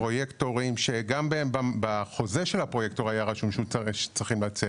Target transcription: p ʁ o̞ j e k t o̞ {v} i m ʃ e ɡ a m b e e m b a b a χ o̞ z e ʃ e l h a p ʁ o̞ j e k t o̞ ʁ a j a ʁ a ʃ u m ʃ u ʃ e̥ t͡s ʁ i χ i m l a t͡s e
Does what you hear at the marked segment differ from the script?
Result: yes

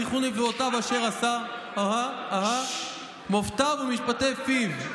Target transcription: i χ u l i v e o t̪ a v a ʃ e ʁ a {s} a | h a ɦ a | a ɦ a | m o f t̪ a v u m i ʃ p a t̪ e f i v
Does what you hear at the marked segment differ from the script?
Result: no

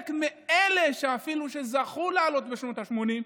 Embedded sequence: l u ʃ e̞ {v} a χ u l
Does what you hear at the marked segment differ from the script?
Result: yes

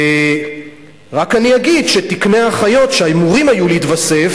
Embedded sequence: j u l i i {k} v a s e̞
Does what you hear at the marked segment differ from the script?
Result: yes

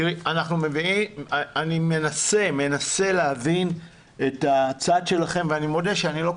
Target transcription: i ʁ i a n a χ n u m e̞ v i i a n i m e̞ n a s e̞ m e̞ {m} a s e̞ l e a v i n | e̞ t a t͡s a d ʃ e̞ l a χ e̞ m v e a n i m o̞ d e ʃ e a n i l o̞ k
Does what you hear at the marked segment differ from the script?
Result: yes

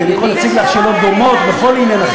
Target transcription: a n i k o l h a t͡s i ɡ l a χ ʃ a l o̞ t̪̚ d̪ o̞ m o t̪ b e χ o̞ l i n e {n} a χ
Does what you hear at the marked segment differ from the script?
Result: no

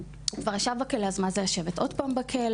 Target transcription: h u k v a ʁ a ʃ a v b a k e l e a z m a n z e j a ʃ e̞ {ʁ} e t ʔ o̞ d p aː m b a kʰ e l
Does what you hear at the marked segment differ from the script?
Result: yes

